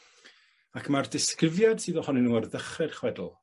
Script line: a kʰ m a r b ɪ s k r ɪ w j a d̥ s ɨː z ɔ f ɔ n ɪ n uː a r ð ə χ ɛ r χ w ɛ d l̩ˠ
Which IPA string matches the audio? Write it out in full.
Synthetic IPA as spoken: a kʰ m a r d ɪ s k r ɪ v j a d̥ s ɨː ð ɔ h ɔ n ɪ n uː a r ð ə χ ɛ r χ w ɛ d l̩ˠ